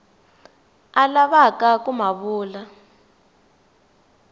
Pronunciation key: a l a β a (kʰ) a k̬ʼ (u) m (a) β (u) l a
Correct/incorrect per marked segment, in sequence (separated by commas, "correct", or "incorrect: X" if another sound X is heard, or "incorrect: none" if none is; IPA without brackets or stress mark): incorrect: k, correct, correct, incorrect: uː